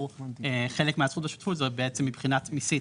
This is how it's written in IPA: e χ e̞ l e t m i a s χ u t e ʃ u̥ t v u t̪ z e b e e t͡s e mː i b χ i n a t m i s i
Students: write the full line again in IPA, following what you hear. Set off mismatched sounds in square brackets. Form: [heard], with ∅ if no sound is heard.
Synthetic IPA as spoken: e χ e̞ l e [k] m [e] a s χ u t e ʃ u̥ t [f] u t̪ z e b e e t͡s e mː i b χ i n a t m i s i